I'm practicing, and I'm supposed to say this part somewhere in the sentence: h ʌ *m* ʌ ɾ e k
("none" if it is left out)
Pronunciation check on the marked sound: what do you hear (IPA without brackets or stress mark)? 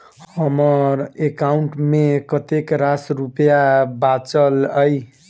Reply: m